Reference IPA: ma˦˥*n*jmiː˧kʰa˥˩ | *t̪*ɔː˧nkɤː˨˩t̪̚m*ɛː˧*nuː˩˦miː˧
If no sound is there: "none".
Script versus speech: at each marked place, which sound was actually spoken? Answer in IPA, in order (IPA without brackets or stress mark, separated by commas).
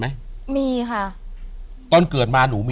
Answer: none, t̪, aː˧